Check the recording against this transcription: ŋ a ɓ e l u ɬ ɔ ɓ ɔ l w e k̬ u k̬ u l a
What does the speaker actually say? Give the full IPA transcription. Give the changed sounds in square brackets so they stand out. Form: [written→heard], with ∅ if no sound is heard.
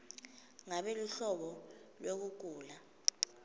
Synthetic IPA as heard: ŋ a ɓ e l u ɬ ɔ ɓ ɔ l w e k̬ u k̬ [u→uː] l a